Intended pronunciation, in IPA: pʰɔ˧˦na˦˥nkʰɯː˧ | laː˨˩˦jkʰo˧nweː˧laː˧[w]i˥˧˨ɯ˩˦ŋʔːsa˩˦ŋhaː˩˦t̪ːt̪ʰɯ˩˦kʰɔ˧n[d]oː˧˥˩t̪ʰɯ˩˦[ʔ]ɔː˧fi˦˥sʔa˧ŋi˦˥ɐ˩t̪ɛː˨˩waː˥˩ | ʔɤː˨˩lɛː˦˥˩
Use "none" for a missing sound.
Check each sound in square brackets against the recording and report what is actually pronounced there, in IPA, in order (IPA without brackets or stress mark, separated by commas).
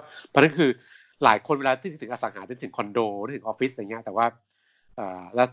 none, d, ʔ